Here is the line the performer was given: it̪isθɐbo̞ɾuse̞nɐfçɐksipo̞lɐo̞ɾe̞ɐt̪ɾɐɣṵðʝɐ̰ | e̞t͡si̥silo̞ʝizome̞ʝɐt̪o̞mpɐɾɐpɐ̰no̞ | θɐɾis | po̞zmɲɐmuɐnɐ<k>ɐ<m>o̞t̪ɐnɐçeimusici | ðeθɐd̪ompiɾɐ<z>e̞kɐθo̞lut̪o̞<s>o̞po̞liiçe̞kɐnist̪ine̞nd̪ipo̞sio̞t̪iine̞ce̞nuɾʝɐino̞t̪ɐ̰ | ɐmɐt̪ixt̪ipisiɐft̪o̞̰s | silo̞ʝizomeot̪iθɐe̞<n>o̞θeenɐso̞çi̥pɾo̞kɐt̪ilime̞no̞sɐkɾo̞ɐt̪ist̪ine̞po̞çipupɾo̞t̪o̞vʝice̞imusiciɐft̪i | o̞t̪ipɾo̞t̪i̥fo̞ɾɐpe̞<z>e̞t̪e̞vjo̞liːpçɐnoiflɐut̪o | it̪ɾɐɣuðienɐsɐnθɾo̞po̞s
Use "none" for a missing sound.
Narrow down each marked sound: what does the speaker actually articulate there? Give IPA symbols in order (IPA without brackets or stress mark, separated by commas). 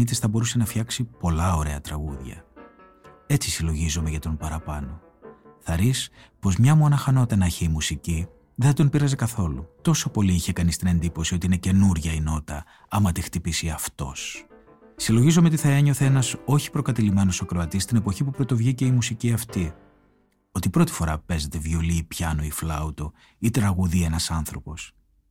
x, n, z, s, ɲ, z